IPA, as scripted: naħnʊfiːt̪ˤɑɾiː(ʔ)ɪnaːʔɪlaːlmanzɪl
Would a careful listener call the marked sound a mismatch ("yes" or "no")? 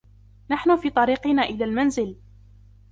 yes